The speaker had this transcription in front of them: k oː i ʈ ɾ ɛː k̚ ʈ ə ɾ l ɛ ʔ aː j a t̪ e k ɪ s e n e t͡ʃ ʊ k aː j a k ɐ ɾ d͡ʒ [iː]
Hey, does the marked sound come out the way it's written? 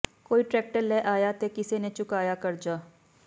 no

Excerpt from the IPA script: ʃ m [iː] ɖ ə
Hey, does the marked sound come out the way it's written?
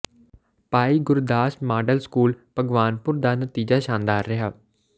no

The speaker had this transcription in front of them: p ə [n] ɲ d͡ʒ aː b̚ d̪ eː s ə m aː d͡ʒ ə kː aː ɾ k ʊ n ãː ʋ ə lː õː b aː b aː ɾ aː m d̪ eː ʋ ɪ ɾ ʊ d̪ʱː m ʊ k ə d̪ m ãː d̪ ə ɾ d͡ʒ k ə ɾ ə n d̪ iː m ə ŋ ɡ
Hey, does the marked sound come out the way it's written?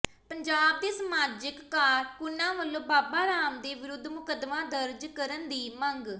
no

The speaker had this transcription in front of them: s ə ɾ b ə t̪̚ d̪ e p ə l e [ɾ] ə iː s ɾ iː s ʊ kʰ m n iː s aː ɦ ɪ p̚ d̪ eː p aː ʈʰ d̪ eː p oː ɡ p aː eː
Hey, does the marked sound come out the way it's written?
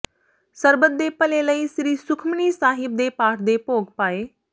no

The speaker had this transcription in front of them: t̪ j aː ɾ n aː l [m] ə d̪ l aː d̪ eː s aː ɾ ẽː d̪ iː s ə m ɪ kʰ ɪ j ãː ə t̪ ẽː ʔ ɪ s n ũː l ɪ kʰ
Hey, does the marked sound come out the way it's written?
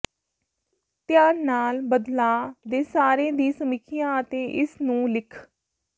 no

